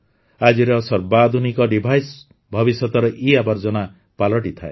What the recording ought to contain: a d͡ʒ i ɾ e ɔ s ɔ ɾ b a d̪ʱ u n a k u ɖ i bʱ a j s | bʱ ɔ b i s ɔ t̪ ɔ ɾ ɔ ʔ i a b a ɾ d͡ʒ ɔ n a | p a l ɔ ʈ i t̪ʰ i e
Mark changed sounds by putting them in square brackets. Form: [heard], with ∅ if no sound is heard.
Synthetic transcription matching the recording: a d͡ʒ i ɾ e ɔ s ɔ ɾ b a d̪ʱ u n [i] k [ɔ] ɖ i bʱ a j s | bʱ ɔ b i s ɔ t̪ ɔ ɾ ɔ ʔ i a b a ɾ d͡ʒ ɔ n a | p a l ɔ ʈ i t̪ʰ [a] e